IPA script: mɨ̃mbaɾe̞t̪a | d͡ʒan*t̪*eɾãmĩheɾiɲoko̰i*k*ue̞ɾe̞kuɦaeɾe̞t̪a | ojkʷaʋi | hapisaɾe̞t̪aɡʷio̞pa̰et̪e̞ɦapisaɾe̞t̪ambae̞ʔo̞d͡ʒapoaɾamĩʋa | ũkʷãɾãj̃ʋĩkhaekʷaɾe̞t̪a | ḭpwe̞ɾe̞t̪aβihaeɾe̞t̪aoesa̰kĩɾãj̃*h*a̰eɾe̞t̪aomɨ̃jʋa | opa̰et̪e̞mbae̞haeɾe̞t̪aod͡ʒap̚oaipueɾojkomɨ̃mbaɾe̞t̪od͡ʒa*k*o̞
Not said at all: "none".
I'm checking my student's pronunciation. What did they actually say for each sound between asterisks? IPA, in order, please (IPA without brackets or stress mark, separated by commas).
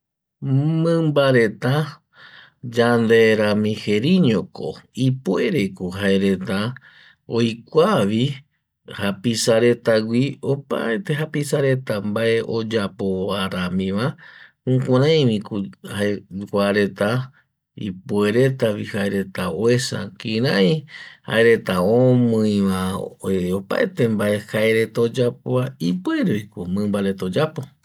d̪, p, h, p